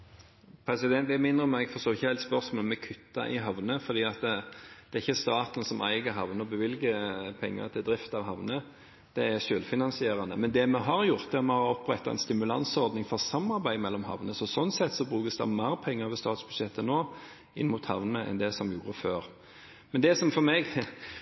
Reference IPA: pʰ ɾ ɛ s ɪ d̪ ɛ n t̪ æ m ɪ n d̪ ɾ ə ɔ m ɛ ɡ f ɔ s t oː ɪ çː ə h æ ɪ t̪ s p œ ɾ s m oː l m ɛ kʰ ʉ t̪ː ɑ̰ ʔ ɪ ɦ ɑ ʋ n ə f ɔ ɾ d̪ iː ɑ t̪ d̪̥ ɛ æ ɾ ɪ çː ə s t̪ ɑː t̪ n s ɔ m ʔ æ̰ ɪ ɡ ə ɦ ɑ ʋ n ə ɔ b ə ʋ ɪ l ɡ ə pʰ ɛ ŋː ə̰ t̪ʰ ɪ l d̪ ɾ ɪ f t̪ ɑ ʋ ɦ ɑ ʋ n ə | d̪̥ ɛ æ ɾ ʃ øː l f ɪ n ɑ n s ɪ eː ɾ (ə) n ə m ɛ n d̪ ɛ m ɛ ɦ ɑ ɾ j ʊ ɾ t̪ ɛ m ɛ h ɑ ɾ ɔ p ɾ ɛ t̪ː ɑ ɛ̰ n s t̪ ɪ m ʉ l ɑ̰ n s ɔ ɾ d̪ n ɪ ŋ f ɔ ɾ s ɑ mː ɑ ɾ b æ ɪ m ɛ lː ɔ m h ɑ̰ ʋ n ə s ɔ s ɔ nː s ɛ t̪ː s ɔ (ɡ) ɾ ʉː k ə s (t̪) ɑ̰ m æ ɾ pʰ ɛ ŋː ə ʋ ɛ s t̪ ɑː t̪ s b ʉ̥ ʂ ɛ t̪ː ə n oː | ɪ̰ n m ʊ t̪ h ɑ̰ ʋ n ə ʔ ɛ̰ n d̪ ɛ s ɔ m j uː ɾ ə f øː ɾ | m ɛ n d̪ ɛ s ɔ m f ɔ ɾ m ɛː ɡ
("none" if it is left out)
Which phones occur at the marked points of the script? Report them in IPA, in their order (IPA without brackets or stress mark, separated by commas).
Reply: ɑ, b, d̪